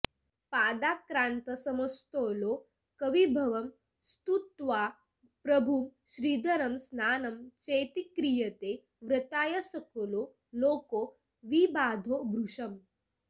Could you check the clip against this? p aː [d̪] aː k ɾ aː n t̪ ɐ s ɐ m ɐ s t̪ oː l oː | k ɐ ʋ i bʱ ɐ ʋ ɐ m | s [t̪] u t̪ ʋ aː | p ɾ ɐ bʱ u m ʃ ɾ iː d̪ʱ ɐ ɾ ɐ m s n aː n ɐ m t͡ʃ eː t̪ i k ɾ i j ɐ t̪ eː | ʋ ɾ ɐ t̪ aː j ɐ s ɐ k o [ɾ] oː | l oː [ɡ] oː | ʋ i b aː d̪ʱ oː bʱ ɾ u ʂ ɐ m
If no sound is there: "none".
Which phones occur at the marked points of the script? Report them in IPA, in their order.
d̪, t̪, l, k

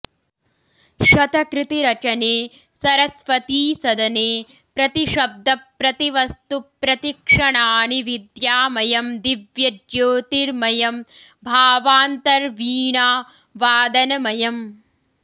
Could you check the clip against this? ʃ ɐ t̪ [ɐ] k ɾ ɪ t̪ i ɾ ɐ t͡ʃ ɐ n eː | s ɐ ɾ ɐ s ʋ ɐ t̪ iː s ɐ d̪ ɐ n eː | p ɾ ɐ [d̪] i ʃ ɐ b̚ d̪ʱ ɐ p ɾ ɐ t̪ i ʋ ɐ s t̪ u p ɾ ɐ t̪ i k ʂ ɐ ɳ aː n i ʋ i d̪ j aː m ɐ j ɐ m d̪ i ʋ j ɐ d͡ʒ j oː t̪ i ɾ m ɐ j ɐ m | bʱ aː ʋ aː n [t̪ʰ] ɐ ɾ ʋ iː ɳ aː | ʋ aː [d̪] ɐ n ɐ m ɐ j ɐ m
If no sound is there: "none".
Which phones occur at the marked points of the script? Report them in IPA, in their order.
ɐ, t̪, t̪, d̪

